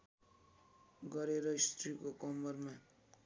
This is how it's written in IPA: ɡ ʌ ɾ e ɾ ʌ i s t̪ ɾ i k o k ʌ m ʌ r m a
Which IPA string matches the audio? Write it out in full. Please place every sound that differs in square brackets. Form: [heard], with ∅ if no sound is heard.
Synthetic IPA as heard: ɡ ʌ ɾ e ɾ ʌ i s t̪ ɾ i k o k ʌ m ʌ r m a